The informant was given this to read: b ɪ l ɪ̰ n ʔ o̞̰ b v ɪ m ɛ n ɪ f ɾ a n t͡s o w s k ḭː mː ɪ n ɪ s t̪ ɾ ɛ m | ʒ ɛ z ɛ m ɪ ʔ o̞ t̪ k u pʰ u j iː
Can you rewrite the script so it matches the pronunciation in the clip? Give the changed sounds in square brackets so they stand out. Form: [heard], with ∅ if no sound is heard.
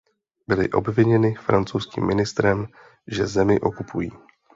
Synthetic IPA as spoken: b ɪ l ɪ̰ [∅] ʔ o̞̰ b v ɪ [ɲ] ɛ n ɪ f ɾ a n t͡s o w s k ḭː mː ɪ n ɪ s t̪ ɾ ɛ m | ʒ ɛ z ɛ m ɪ ʔ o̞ [∅] k u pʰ u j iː